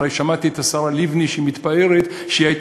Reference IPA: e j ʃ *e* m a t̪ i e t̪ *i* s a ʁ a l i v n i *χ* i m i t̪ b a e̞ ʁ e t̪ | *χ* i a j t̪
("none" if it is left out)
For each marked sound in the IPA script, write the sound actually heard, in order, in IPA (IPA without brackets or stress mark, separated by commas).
a, a, ʃ, ʃ